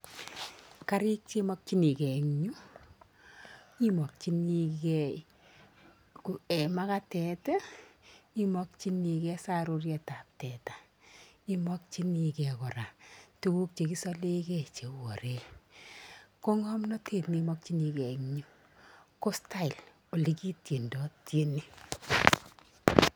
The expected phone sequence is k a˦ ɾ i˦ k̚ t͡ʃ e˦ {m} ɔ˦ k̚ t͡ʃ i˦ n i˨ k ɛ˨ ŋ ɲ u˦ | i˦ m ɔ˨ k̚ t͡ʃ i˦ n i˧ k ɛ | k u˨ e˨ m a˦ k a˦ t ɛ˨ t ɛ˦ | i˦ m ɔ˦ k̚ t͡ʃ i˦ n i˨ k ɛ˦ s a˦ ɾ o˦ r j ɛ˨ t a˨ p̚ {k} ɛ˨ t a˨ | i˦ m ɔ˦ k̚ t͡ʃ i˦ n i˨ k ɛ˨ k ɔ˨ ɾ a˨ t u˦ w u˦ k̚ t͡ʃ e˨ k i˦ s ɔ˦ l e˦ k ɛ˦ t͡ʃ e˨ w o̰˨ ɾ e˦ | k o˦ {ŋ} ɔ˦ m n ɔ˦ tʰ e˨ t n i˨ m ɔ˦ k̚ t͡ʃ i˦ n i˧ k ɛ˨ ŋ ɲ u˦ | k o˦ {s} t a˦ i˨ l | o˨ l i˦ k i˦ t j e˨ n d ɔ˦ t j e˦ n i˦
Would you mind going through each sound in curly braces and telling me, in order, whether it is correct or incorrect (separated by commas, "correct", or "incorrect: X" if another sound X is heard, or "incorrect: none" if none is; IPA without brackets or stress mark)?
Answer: correct, incorrect: t, correct, correct